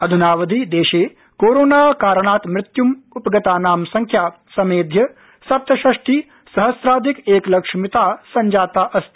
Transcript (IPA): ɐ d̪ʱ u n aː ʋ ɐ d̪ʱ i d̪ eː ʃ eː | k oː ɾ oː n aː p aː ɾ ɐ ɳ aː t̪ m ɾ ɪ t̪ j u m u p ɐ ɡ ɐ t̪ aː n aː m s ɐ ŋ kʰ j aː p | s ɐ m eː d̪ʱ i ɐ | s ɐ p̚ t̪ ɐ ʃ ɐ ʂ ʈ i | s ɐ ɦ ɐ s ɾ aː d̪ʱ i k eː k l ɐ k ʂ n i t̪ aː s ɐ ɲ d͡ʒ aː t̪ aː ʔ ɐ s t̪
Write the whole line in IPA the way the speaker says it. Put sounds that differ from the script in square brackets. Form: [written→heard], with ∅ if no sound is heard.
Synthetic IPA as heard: ɐ d̪ʱ u n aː ʋ ɐ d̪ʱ i d̪ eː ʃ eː | k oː ɾ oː n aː [p→k] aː ɾ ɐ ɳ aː t̪ m ɾ ɪ t̪ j u m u p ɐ ɡ ɐ t̪ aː n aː m s ɐ ŋ kʰ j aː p | s ɐ m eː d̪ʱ [i→j] ɐ | s ɐ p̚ t̪ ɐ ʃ ɐ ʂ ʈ i | s ɐ ɦ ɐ s ɾ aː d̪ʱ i k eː k l ɐ k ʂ [n→m] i t̪ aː s ɐ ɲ d͡ʒ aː t̪ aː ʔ ɐ s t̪